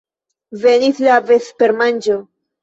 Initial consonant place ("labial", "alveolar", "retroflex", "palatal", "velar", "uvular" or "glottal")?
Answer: labial